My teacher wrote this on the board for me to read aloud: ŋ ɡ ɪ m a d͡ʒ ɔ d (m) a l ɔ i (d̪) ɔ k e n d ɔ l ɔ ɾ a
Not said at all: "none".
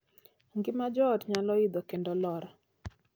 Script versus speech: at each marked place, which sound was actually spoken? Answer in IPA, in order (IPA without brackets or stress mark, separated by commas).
ɲ, d̪